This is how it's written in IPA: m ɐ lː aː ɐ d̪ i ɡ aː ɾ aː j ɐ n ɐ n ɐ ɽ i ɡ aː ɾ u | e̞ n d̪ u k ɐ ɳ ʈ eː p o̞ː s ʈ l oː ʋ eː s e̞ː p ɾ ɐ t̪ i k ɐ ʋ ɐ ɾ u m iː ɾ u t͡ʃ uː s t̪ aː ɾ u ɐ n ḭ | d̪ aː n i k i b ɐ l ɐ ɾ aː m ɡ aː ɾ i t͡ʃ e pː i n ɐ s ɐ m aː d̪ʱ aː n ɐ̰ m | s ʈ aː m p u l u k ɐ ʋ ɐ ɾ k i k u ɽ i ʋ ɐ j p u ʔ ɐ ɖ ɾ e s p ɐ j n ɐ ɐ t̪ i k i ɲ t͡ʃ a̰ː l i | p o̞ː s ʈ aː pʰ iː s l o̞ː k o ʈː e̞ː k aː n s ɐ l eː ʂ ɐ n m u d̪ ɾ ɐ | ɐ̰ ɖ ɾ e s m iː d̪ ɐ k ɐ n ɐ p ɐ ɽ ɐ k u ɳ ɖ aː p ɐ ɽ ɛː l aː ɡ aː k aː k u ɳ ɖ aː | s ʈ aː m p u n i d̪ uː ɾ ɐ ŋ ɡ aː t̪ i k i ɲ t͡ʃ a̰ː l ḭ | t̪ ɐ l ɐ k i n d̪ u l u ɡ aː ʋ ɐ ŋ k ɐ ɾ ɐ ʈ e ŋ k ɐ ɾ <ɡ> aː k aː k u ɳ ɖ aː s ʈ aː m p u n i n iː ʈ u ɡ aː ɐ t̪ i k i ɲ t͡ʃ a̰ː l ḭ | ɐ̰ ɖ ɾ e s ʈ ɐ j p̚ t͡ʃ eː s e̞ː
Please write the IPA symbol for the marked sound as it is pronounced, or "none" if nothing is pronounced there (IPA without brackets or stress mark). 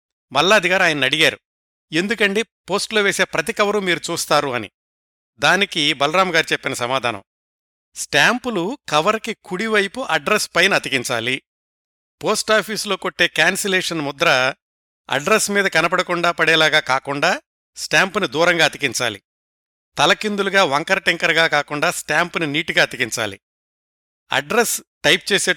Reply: ɡ